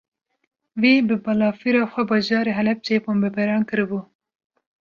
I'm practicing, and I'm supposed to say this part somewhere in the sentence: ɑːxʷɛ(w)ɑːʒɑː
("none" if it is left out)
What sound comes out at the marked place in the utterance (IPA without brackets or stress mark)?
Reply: b